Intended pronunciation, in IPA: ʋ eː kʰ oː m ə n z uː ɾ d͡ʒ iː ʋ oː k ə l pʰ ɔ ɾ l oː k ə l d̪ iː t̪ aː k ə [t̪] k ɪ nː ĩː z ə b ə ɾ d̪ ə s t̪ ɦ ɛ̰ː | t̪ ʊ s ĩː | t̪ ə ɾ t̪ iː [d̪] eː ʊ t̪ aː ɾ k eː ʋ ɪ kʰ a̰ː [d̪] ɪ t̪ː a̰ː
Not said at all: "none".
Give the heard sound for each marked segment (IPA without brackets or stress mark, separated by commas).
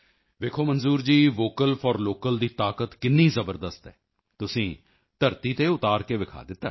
t̪, t̪, d̪